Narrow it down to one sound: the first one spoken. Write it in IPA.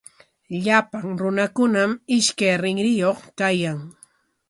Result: ʎ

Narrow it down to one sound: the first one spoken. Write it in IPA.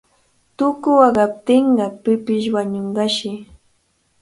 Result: t̪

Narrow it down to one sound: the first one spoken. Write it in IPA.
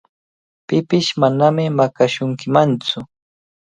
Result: p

